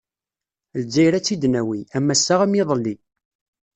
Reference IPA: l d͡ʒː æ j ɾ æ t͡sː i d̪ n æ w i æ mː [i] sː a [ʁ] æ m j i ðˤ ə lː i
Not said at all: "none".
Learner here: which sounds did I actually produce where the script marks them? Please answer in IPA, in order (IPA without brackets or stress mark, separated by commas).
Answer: æ, ʁ